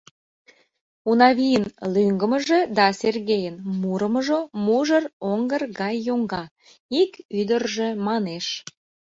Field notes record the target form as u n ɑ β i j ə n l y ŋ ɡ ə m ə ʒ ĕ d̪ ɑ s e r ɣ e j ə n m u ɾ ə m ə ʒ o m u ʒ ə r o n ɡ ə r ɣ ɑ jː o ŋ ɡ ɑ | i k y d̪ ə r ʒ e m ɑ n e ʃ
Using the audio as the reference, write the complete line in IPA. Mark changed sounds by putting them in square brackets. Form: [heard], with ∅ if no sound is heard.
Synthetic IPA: u n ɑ β i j ə n l y ŋ ɡ ə m ə ʒ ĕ d̪ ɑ s e r ɣ e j ə n m u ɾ ə m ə ʒ o m u ʒ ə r o [ŋ] ɡ ə r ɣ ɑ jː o ŋ ɡ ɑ | i k y d̪ ə r ʒ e m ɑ n e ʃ